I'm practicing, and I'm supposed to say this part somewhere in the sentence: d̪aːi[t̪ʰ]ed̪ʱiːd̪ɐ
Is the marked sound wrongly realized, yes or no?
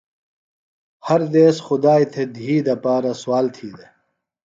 no